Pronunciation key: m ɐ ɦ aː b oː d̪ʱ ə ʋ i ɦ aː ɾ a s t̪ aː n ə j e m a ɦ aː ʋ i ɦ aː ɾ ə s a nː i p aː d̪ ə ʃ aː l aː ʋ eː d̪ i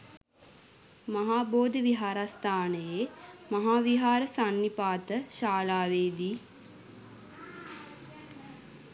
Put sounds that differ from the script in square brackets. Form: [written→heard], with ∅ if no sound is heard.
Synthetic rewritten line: m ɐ ɦ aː b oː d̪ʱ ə ʋ i ɦ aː ɾ a s t̪ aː n ə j e m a ɦ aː ʋ i ɦ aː ɾ ə s a nː i p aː [d̪→t̪] ə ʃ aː l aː ʋ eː d̪ i

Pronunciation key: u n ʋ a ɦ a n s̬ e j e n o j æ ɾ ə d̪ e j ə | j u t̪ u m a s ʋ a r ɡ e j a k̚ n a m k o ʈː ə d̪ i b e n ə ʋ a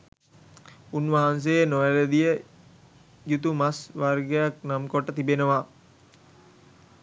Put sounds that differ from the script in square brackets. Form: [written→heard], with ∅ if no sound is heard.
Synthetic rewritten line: u n ʋ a ɦ a n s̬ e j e n o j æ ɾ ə d̪ [e→i] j ə | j u t̪ u m a s ʋ a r ɡ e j a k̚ n a m k o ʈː ə [d̪→t̪] i b e n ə ʋ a

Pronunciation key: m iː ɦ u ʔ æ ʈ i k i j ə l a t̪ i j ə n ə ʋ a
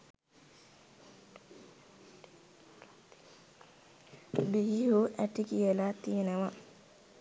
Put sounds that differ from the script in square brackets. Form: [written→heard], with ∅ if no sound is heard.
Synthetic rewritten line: [m→b] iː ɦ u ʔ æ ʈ i k i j ə l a t̪ i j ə n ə ʋ a

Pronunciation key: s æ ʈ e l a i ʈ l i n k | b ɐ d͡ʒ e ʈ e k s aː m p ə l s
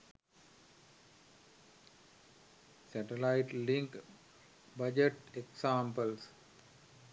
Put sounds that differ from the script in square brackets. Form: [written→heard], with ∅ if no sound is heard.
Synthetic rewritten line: s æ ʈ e l a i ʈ l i [n→ŋ] k | b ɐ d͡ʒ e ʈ e k s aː m p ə l s

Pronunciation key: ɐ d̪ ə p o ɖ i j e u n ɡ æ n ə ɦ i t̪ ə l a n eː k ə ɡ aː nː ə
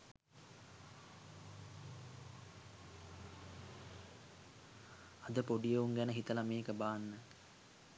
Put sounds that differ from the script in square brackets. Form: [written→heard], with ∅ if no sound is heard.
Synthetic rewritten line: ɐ d̪ ə p o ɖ i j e u [n→ŋ] ɡ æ n ə ɦ i t̪ ə l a [n→m] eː k ə [ɡ→b] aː nː ə

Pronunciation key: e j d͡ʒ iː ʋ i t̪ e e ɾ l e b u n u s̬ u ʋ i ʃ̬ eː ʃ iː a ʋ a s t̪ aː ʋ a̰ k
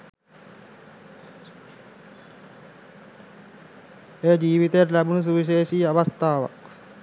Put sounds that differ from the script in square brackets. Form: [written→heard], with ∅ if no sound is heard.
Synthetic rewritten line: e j d͡ʒ iː ʋ i t̪ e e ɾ l [e→æ] b u n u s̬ u ʋ i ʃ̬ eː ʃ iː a ʋ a s t̪ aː ʋ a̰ k

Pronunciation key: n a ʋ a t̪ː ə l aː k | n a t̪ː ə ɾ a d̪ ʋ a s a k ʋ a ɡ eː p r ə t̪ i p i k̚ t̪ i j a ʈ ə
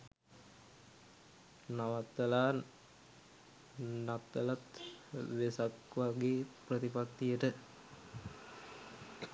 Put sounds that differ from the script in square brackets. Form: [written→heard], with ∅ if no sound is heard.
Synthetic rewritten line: n a ʋ a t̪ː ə l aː [k→∅] | n a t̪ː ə [ɾ→l] a [d̪→t̪] ʋ [a→e] s a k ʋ a ɡ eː p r ə t̪ i p [i→a] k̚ t̪ i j [a→ə] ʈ ə

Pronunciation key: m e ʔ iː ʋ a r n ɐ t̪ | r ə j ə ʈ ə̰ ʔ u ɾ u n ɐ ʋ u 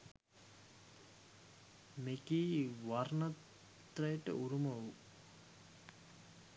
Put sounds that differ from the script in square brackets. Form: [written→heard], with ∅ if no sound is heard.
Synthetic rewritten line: m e [ʔ→k] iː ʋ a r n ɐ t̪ | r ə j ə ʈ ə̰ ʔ u ɾ u [n→m] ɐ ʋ u

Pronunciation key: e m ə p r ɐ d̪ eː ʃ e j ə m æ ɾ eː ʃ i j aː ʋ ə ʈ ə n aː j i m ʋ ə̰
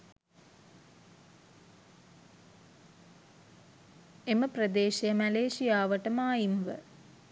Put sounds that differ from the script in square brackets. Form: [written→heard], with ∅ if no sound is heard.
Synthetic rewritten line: e m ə p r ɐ d̪ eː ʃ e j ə m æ [ɾ→l] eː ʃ i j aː ʋ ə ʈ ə [n→m] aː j i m ʋ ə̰

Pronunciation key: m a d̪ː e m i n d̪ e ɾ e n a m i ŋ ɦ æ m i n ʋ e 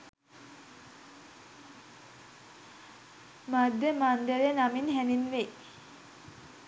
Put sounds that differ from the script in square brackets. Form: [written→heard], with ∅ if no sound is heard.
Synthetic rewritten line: m a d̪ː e m [i→a] n d̪ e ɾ e n a m i [ŋ→n] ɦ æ [m→n] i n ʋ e

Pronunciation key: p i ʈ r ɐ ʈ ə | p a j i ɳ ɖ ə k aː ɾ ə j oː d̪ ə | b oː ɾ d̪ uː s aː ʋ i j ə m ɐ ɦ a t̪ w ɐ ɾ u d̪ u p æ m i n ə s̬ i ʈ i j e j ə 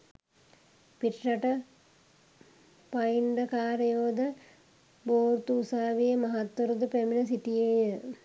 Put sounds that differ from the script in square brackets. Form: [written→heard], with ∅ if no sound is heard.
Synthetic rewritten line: p i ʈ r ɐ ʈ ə | p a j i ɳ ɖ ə k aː ɾ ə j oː d̪ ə | b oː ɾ [d̪→t̪] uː s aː ʋ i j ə m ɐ ɦ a t̪ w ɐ ɾ u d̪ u p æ m i n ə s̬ i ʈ i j e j ə

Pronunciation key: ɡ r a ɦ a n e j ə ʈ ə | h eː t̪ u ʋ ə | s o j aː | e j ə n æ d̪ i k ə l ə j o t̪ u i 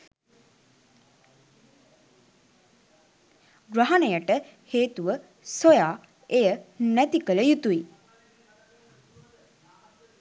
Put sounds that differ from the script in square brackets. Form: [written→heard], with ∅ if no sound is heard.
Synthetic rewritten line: ɡ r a ɦ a n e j ə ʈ ə | h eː t̪ u ʋ ə | s o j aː | e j ə n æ [d̪→t̪] i k ə l ə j [o→u] t̪ u i

